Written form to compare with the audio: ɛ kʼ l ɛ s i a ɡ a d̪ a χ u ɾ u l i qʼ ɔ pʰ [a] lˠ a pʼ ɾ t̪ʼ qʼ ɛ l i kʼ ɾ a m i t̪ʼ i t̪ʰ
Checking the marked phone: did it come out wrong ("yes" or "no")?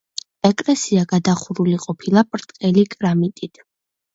yes